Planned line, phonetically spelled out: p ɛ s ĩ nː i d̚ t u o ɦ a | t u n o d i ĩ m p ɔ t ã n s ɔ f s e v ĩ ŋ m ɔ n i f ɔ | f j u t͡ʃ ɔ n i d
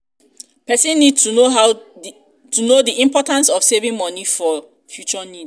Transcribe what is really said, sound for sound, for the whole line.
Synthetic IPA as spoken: p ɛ s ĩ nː i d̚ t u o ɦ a | t u n o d i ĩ m p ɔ t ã n s ɔ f s e v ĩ ŋ m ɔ n i f ɔ | f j u t͡ʃ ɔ n i d